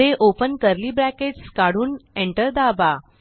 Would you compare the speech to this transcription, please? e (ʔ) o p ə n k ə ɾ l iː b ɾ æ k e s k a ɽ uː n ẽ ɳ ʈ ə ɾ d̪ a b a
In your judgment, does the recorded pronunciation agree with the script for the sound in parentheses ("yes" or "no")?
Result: yes